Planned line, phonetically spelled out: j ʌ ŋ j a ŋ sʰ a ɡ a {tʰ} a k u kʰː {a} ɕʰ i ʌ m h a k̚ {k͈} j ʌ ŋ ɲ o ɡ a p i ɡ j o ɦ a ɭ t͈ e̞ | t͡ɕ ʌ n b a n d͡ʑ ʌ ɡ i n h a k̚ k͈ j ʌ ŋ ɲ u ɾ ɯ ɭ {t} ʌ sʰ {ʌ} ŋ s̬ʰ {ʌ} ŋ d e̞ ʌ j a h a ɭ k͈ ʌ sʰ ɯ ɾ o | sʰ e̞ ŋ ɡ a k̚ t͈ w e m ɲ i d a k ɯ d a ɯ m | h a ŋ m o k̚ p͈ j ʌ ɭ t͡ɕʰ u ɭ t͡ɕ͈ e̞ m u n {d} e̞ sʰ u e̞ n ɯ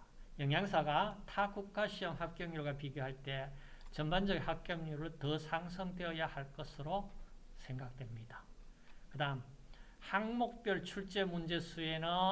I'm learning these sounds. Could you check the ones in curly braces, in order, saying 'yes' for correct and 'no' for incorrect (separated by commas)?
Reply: yes, yes, yes, yes, no, yes, no